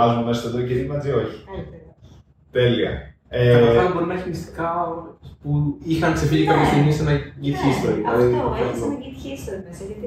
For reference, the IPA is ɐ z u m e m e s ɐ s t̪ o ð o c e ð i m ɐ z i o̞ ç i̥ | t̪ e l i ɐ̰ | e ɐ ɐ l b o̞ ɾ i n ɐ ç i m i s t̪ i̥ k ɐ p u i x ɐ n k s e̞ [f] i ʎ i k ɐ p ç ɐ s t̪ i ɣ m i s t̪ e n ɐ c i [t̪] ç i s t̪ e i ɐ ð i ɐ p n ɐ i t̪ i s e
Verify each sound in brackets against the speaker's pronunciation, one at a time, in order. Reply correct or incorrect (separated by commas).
correct, correct